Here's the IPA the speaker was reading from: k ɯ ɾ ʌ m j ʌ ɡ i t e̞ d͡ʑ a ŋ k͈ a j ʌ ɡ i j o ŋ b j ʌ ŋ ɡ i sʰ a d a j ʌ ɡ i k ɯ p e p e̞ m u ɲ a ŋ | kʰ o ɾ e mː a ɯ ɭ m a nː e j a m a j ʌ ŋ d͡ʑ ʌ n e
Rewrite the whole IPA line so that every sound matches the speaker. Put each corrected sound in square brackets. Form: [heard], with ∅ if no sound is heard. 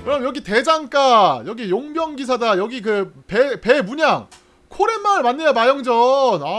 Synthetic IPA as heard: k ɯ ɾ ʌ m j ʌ ɡ i t e̞ d͡ʑ a ŋ k͈ a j ʌ ɡ i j o ŋ b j ʌ ŋ ɡ i sʰ a d a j ʌ ɡ i k ɯ p e p e̞ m u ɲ a ŋ | kʰ o ɾ e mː a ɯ ɭ m a nː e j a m a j ʌ ŋ d͡ʑ ʌ n [a]